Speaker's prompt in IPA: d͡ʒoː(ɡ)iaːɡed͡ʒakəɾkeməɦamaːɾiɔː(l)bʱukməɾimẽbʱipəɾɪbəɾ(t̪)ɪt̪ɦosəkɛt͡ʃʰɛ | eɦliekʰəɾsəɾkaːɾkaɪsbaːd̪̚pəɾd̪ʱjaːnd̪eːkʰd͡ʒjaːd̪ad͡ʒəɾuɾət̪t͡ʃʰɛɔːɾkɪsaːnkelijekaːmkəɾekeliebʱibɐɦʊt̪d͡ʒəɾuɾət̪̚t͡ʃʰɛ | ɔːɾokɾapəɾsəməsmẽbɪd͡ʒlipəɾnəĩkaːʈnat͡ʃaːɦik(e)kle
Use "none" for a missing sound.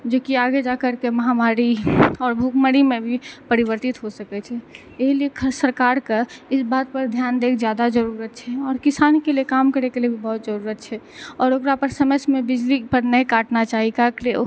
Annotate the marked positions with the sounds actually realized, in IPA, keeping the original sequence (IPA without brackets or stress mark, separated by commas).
k, ɾ, t̪, a